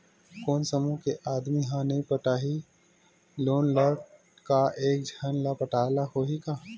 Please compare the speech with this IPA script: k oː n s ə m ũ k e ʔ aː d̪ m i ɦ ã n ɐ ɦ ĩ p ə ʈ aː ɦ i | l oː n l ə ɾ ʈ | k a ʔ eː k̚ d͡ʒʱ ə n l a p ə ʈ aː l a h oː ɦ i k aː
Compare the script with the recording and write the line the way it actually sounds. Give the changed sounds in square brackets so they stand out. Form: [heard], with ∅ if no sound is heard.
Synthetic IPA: k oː n s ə m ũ k e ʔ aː d̪ m i ɦ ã n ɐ ɦ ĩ p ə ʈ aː ɦ i | l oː n l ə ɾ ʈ | k a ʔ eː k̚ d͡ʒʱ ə n l a p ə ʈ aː l a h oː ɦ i k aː

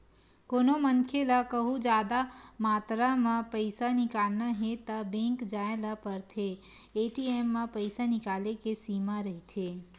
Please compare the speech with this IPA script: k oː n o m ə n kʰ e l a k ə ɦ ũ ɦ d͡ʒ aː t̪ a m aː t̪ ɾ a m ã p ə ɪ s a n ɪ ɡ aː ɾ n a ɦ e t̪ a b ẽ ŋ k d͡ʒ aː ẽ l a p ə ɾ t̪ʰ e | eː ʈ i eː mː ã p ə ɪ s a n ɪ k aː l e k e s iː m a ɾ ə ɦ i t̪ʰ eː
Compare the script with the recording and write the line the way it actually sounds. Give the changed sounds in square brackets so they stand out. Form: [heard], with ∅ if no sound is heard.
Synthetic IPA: k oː n o m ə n kʰ e l a k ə ɦ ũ [∅] d͡ʒ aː [d̪] a m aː t̪ ɾ a m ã p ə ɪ s a n ɪ [k] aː [l] n a ɦ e t̪ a b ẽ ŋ k d͡ʒ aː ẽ l a p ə ɾ t̪ʰ e | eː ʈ i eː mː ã p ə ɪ s a n ɪ k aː l e k e s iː m a ɾ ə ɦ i t̪ʰ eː

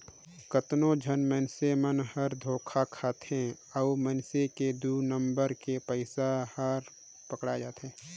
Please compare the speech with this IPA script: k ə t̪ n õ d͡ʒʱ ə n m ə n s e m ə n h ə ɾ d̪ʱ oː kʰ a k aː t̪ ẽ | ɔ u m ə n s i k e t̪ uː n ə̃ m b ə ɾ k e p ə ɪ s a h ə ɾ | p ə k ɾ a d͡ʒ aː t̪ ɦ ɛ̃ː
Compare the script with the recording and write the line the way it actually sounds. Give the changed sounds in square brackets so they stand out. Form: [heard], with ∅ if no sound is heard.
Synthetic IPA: k ə t̪ n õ d͡ʒʱ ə n m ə n s e m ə n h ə ɾ d̪ʱ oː kʰ a [kʰ] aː t̪ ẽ | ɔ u m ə n s [e] k e [d̪] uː n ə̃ m b ə ɾ k e p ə ɪ s a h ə ɾ | p ə k [ɽ] a d͡ʒ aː t̪ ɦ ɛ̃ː

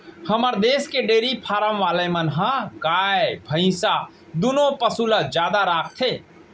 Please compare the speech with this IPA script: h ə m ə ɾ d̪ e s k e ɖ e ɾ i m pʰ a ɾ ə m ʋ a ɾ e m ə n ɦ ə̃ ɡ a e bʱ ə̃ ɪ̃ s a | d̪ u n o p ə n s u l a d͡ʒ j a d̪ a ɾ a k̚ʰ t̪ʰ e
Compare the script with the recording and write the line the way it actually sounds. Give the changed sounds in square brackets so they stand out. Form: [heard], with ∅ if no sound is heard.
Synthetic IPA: h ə m ə ɾ d̪ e s k e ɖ e ɾ i [∅] pʰ a ɾ ə m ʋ a [l] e m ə n ɦ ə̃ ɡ a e bʱ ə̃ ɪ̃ s a | d̪ u n o p ə [∅] s u l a d͡ʒ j a d̪ a ɾ a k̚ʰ t̪ʰ e

